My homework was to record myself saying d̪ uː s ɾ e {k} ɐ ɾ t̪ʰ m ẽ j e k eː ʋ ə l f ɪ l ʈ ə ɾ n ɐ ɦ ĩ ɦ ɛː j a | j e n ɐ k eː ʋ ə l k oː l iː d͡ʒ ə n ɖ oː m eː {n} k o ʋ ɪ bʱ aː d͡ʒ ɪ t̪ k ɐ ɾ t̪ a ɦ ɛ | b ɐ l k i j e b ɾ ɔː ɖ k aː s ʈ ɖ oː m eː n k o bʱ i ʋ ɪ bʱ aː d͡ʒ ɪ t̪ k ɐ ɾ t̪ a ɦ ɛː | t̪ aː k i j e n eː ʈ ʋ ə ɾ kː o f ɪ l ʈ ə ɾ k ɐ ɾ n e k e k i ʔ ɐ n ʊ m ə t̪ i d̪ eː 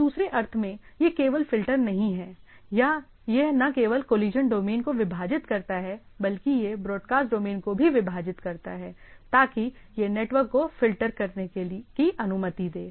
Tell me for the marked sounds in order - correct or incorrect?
incorrect: ʔ, correct

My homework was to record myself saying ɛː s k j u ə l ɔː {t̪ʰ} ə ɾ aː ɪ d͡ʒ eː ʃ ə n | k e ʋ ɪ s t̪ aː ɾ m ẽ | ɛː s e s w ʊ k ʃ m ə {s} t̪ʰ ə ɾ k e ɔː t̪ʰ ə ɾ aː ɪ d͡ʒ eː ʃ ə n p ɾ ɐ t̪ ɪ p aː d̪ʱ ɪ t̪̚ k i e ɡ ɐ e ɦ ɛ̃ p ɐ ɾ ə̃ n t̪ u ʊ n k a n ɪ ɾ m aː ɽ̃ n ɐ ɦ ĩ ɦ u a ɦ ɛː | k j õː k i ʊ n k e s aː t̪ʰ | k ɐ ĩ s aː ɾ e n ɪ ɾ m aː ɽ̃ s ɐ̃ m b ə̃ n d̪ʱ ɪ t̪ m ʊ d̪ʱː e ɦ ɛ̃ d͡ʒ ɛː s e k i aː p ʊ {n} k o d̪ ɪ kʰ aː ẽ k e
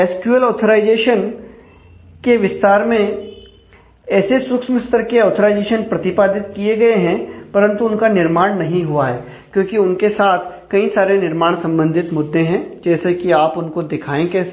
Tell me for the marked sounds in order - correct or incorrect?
correct, correct, correct

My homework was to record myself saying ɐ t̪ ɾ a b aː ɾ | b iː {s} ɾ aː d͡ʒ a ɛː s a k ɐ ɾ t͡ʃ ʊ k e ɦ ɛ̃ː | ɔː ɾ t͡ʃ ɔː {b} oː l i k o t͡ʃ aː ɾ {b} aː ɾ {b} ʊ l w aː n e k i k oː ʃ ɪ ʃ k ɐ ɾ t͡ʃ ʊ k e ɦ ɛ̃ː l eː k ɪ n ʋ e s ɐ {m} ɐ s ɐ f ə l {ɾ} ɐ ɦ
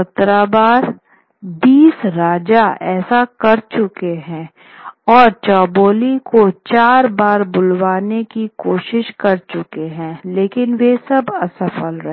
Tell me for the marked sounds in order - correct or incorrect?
correct, correct, correct, correct, incorrect: b, correct

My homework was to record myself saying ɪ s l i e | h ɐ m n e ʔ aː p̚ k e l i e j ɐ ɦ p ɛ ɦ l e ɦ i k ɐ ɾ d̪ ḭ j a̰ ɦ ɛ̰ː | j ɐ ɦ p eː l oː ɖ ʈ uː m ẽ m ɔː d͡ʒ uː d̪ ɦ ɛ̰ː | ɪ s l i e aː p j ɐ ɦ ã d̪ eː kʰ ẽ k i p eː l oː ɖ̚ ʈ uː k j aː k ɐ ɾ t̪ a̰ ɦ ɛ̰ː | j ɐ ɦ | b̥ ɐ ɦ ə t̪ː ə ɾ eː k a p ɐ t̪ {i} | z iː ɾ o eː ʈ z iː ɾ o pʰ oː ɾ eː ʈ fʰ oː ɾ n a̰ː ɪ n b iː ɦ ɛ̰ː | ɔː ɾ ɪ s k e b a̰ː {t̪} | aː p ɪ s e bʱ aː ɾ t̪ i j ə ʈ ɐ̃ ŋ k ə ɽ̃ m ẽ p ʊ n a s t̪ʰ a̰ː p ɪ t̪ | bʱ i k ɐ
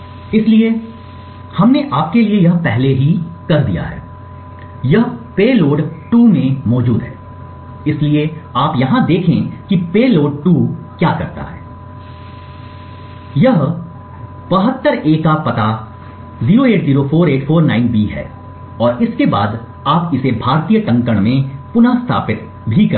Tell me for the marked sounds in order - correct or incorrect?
incorrect: a, incorrect: d̪

